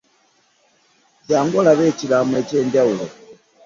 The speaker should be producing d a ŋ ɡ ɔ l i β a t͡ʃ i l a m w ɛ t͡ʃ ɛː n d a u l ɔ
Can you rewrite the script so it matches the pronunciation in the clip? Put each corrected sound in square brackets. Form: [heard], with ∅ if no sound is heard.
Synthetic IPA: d a ŋ ɡ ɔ l [a] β [ɛ] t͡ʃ i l a m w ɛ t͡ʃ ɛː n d a u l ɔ